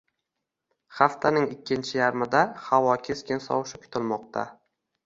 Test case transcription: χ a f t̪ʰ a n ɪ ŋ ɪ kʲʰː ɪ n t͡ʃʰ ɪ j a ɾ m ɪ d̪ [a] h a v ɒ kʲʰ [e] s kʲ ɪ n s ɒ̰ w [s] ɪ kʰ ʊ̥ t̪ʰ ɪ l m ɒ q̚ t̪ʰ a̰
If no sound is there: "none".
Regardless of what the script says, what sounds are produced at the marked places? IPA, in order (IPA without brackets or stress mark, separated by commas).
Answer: a, e, ʃ